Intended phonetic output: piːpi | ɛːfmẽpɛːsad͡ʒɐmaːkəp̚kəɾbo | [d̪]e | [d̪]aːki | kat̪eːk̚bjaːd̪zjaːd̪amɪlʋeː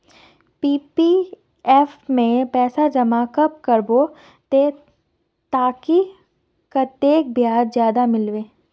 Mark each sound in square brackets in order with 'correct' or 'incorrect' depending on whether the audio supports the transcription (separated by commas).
incorrect, incorrect